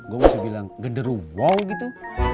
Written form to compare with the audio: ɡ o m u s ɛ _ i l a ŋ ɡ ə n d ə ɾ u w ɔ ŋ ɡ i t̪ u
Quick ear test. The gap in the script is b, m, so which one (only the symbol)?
b